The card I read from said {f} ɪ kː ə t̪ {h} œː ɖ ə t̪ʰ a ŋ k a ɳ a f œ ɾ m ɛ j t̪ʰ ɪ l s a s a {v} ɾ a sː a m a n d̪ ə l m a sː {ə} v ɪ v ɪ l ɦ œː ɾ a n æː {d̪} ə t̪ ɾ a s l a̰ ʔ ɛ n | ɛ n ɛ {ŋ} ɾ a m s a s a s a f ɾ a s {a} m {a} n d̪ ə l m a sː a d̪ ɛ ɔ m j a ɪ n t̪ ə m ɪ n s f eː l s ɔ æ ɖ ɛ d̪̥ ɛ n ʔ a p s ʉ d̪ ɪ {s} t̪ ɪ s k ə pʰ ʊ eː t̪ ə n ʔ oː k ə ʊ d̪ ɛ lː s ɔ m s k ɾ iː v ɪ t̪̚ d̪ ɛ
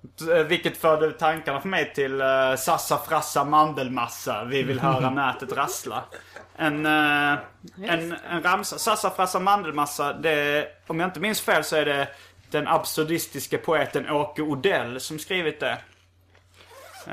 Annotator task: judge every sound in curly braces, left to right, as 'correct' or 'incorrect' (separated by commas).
incorrect, incorrect, incorrect, incorrect, incorrect, incorrect, correct, correct, correct